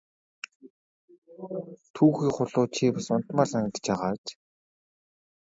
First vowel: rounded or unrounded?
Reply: rounded